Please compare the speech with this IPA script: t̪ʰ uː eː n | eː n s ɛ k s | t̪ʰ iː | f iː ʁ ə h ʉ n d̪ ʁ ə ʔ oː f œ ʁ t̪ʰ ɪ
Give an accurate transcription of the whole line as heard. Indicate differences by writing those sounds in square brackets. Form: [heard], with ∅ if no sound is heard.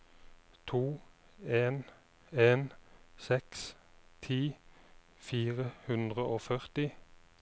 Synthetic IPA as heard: t̪ʰ uː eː n | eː n s ɛ k s | t̪ʰ iː | f iː ʁ ə h ʉ n d̪ ʁ ə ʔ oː f œ ʁ [t̪] ɪ